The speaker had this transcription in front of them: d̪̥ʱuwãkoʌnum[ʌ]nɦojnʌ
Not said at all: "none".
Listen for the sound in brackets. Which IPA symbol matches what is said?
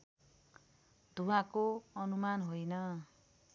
a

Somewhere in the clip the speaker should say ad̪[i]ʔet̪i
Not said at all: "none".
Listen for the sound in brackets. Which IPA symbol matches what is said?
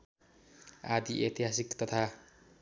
i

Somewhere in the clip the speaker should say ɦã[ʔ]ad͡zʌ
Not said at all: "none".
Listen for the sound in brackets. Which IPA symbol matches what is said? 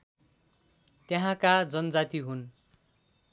k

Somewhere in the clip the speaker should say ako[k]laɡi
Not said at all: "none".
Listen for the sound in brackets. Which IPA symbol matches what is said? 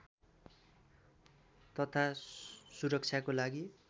none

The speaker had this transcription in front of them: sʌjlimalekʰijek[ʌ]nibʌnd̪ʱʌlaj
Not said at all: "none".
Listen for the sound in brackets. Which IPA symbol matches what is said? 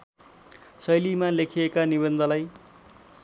a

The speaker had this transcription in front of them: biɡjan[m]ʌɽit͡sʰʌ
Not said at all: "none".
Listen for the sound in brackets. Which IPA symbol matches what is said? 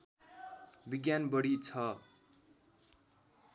b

